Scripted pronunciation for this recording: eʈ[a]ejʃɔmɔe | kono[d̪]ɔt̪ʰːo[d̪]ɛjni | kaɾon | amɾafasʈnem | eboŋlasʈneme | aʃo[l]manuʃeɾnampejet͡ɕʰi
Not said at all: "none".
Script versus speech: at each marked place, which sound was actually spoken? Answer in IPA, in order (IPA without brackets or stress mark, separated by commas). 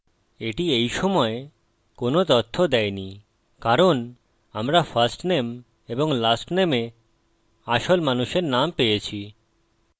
i, t̪, d̪, l